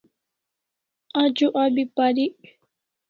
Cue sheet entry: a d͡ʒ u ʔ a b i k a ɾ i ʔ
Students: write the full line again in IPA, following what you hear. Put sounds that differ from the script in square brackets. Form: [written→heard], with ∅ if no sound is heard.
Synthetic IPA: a d͡ʒ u ʔ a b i [k→p] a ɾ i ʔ

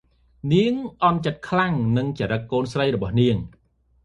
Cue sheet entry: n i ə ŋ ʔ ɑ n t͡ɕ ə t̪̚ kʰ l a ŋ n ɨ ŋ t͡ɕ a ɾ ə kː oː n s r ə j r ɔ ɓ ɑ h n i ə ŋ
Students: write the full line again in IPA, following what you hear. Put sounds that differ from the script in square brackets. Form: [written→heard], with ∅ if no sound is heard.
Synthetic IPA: n i ə ŋ ʔ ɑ n t͡ɕ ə t̪̚ kʰ l a ŋ n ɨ ŋ t͡ɕ a ɾ ə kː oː n s r ə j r ɔ ɓ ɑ h n i ə ŋ

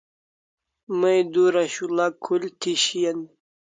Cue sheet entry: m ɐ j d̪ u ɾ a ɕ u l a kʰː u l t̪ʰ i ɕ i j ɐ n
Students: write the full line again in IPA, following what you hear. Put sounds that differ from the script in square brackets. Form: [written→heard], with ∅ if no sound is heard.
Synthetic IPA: m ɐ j d̪ u ɾ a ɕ u l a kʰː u l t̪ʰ i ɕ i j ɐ n

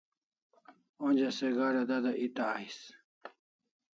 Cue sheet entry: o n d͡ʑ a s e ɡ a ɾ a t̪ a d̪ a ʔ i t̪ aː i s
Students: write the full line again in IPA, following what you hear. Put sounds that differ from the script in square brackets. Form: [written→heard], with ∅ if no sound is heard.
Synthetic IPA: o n d͡ʑ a s e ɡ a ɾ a [t̪→d̪] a d̪ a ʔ i t̪ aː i s

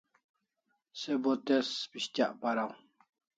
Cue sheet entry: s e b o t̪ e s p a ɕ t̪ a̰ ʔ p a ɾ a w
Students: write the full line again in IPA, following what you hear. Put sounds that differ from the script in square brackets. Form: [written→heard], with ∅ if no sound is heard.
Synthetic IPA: s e b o t̪ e s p [a→i] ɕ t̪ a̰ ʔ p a ɾ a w

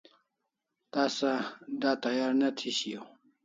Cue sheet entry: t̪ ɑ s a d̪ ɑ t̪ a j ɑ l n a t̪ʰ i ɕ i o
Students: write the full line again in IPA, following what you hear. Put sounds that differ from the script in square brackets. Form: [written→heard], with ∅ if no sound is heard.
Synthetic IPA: t̪ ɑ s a d̪ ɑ t̪ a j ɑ [l→ɾ] n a t̪ʰ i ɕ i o

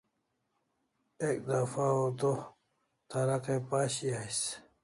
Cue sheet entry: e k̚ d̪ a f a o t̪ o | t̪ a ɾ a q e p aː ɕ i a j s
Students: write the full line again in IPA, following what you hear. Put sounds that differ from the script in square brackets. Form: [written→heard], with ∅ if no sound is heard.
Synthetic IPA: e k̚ d̪ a f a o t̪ o | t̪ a ɾ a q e p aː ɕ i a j s

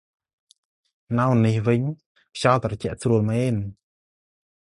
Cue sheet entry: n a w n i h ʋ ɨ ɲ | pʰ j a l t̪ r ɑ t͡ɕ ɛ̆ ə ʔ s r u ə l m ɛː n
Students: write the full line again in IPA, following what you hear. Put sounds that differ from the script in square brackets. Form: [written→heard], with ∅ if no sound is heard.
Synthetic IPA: n a w n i h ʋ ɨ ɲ | pʰ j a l t̪ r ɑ t͡ɕ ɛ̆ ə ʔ s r u ə l m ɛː n

